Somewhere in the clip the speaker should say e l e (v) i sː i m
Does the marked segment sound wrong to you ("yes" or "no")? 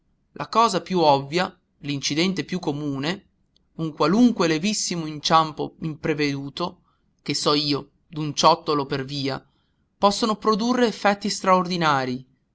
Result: no